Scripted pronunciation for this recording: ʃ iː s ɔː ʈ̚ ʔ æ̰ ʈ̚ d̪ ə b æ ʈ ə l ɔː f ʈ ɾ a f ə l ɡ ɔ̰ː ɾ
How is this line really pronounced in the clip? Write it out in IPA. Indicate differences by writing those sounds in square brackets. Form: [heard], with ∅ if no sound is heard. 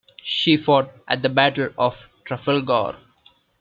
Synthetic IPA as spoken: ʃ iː [f] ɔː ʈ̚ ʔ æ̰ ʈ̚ d̪ ə b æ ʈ ə l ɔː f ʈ ɾ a f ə l ɡ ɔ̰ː ɾ